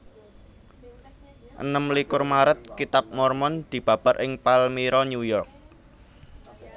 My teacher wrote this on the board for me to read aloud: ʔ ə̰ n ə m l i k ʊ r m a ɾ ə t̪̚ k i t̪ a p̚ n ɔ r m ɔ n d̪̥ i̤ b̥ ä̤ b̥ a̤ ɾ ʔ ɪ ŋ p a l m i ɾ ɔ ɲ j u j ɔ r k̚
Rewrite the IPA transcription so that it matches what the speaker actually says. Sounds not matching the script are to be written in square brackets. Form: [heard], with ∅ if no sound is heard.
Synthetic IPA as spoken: ʔ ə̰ n ə m l i k ʊ r m a ɾ ə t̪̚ k i t̪ a p̚ [m] ɔ r m ɔ n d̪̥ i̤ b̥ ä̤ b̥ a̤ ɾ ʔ ɪ ŋ p a l m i ɾ ɔ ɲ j u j ɔ r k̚